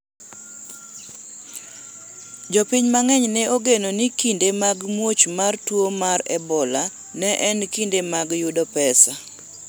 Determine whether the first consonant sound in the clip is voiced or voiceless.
voiced